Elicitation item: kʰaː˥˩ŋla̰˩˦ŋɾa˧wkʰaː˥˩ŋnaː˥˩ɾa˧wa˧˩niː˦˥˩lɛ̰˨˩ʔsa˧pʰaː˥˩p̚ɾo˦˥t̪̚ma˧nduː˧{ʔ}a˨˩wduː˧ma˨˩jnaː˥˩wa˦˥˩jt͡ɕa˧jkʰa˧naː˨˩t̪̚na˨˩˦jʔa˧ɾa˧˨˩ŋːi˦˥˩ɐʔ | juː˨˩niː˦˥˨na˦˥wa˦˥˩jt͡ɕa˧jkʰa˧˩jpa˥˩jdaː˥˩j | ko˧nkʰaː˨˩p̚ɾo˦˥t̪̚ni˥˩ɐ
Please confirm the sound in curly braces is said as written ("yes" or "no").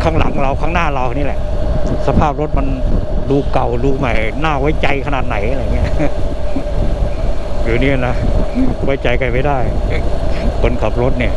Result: no